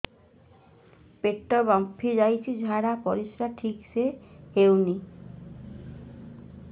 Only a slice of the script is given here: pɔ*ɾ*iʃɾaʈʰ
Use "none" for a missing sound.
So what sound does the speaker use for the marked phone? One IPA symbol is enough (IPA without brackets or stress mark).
ɾ